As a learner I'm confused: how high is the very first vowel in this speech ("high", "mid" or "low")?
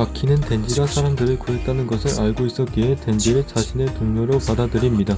low